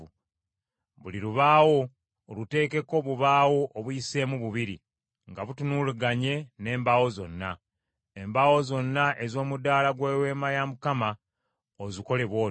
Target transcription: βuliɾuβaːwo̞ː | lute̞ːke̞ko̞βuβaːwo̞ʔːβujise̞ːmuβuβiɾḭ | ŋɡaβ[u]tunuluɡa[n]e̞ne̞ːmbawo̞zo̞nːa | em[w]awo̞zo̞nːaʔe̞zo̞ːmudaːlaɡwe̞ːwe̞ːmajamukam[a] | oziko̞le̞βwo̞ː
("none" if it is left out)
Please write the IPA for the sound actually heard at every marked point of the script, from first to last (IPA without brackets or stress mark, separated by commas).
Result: u, ɲ, b, a